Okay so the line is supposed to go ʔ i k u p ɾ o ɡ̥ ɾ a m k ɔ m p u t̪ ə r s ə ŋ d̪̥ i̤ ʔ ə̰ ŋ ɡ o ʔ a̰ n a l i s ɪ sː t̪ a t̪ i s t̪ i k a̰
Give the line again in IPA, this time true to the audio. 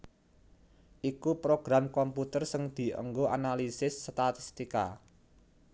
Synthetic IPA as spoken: ʔ i k u p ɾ o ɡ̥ ɾ a m k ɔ m p u t̪ ə r s ə ŋ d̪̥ i̤ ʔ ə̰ ŋ ɡ o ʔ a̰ n a l i s ɪ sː t̪ a t̪ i s t̪ i k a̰

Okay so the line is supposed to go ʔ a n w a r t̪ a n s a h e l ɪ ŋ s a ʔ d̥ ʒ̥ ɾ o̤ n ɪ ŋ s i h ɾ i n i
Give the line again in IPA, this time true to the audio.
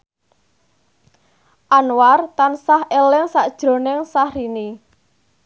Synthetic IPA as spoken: ʔ a n w a r t̪ a n s a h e l ɪ ŋ s a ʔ d̥ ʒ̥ ɾ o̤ n ɪ ŋ s a h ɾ i n i

